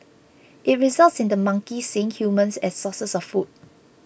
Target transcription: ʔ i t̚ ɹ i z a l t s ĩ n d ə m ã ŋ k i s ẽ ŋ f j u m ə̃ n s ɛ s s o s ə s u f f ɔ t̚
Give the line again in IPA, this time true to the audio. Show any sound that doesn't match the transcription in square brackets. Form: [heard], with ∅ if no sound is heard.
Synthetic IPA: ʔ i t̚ ɹ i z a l t s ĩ n d ə m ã ŋ k i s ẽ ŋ [h] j u m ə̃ n s ɛ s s [ɔ] s ə s [ɔ] f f [u] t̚